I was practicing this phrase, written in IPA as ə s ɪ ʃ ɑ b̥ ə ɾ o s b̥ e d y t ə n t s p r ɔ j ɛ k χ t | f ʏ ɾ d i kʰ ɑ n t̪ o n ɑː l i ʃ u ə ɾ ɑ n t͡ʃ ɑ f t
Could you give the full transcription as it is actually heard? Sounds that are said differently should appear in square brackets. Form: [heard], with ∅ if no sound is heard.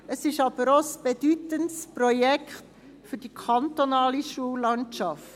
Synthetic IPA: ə s ɪ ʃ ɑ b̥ ə ɾ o s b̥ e d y t ə n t s p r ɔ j ɛ k χ t | f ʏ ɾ d i kʰ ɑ n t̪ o n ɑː l i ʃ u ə [l] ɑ n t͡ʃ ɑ f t